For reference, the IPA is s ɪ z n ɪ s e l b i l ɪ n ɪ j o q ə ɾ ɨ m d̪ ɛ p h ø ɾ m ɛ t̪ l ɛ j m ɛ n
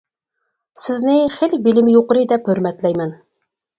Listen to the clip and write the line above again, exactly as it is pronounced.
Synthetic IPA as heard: s ɪ z n ɪ χ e l b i l ɪ m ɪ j o q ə ɾ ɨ d̪ ɛ p h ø ɾ m ɛ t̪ l ɛ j m ɛ n